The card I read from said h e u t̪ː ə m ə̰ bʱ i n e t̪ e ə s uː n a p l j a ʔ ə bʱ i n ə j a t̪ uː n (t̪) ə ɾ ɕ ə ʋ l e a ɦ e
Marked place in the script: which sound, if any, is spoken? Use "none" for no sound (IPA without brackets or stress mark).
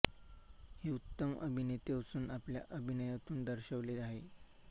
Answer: d̪